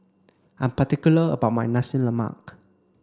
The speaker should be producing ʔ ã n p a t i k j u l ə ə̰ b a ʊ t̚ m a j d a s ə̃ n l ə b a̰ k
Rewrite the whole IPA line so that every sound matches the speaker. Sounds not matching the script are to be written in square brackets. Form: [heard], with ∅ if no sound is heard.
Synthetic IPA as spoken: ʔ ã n p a t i k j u l ə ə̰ b a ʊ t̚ m a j [n] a s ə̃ n l ə [m] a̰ k